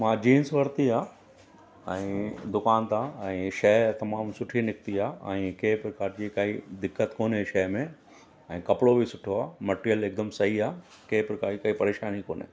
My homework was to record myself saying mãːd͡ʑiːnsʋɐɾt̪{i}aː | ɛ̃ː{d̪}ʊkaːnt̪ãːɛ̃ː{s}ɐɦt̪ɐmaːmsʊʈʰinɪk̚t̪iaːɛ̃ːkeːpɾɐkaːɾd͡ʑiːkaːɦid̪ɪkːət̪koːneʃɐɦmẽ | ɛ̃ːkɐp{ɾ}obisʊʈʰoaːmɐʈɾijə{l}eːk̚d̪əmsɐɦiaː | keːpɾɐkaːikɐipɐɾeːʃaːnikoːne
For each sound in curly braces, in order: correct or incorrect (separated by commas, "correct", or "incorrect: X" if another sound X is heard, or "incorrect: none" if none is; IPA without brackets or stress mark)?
correct, correct, incorrect: ʃ, incorrect: ɽ, correct